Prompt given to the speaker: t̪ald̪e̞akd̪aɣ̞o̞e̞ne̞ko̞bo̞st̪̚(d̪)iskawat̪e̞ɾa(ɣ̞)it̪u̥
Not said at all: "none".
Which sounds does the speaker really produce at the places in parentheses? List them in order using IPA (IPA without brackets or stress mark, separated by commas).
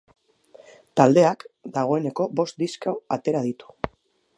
d̪, ð̞